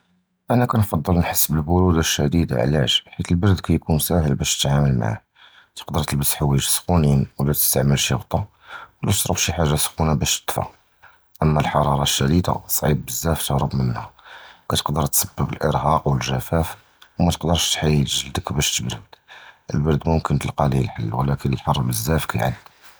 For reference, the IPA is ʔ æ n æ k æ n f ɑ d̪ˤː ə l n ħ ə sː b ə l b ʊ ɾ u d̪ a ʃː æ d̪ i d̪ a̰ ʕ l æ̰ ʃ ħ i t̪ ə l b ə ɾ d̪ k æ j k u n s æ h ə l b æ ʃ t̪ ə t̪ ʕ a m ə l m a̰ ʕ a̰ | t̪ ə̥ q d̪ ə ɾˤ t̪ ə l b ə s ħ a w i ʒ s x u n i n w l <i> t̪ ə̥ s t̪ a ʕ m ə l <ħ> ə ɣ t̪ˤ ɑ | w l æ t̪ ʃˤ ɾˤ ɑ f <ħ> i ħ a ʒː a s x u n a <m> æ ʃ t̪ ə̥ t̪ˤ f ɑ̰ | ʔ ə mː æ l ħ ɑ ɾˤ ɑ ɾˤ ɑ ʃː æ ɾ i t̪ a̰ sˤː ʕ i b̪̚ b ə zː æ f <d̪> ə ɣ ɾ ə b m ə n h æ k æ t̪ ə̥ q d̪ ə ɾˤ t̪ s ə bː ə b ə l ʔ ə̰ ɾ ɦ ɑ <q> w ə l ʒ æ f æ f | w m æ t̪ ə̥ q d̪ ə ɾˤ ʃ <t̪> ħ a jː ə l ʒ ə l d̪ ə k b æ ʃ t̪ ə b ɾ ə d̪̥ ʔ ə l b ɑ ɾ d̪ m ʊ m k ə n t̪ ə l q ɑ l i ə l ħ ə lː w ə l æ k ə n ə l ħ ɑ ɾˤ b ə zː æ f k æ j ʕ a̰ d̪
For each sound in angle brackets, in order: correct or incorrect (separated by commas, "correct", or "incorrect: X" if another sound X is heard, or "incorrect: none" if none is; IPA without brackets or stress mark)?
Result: incorrect: æ, incorrect: ʃ, incorrect: ʃ, incorrect: b, incorrect: t̪, correct, correct